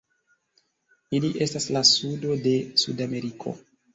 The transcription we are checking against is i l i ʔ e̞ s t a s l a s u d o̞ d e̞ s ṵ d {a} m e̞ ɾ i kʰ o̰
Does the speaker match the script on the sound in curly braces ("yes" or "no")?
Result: yes